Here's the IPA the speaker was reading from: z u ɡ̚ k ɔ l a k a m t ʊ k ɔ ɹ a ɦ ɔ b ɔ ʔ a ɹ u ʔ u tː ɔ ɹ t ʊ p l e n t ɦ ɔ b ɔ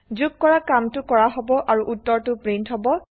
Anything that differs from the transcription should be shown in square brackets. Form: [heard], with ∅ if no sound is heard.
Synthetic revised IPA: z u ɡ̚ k ɔ [ɹ] a k a m t ʊ k ɔ ɹ a ɦ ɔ b ɔ ʔ a ɹ u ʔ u tː ɔ ɹ t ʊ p [ɹ] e n t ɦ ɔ b ɔ